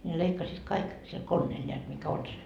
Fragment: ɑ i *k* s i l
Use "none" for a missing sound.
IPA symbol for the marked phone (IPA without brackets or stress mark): k